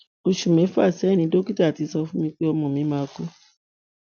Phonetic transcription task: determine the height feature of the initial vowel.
mid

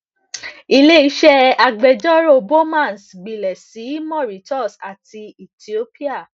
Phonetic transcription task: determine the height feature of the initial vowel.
high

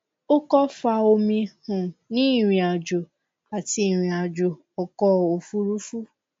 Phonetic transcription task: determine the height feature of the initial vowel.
mid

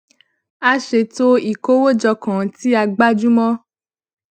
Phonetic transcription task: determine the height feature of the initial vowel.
low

